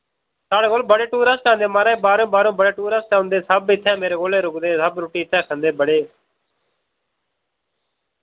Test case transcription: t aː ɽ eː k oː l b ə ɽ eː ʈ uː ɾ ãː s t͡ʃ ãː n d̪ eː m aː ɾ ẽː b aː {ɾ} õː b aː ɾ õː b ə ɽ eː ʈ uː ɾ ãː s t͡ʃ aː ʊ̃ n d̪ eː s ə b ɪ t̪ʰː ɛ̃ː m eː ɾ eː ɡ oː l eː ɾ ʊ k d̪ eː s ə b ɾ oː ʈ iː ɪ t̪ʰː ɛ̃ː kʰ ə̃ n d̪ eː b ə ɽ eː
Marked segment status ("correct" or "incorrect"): correct